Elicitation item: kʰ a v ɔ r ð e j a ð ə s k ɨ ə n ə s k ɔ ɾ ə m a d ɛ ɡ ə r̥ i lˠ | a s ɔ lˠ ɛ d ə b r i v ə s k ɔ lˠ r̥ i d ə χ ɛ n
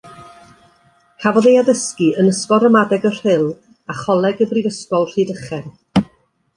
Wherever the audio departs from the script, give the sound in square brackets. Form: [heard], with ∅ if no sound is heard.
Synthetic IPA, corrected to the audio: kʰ a v ɔ [∅] ð e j a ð ə s k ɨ ə n ə s k ɔ ɾ ə m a d ɛ ɡ ə r̥ [ɪ] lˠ | a [χ] ɔ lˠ ɛ [ɡ] ə b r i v ə s k ɔ lˠ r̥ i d ə χ ɛ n

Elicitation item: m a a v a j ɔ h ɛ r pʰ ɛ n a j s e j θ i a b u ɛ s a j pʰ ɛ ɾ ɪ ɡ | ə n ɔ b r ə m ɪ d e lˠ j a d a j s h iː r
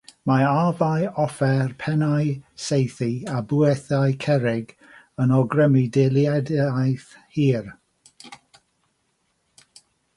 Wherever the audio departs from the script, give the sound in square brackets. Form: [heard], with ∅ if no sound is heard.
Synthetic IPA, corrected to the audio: m a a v a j ɔ [f] ɛ r pʰ ɛ n a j s e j θ i a b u ɛ [θ] a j [kʰ] ɛ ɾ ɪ ɡ | ə n ɔ [ɡ] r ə m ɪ d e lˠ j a d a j [θ] h iː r

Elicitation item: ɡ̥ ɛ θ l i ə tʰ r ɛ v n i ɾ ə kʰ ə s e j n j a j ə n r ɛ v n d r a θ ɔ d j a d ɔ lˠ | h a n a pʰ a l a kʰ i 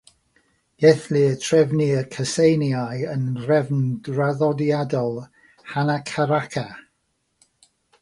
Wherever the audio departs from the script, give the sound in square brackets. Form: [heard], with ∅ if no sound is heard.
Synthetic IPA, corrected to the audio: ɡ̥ ɛ θ l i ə tʰ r ɛ v n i [∅] ə kʰ ə s e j n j a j ə n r ɛ v n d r a [ð] ɔ d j a d ɔ lˠ | h a n a [kʰ] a [ɾ] a kʰ [a]

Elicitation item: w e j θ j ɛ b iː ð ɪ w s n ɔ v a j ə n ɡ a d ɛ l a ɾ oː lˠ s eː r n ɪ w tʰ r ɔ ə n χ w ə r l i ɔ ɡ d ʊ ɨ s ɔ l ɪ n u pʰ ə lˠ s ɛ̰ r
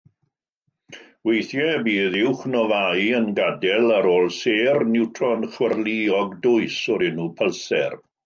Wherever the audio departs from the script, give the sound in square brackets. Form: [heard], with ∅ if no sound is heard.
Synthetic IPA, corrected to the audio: w e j θ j ɛ b iː ð ɪ w [χ] n ɔ v a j ə n ɡ a d ɛ l a ɾ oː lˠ s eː r n ɪ w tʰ r ɔ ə n χ w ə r l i ɔ ɡ d ʊ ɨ s ɔ [ɾ] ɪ n u pʰ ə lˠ s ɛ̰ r

